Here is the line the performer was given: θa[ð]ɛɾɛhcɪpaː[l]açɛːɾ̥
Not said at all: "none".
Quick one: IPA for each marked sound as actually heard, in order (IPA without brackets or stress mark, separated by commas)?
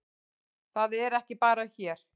ð, ɾ